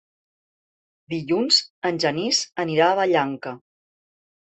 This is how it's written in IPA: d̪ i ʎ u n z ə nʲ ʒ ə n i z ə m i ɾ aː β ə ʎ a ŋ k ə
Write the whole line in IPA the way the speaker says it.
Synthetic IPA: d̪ i ʎ u n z ə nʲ ʒ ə n i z ə n i ɾ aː β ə ʎ a ŋ k ə